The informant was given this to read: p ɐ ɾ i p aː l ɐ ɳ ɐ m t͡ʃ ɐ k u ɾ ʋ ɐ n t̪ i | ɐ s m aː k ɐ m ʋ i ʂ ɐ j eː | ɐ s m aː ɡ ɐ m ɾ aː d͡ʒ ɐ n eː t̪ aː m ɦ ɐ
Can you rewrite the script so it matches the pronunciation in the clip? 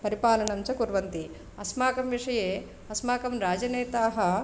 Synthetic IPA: p ɐ ɾ i p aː l ɐ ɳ ɐ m t͡ʃ ɐ k u ɾ ʋ ɐ n t̪ i | ɐ s m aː k ɐ m ʋ i ʂ ɐ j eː | ɐ s m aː k ɐ m ɾ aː d͡ʒ ɐ n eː t̪ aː ɦ ɐ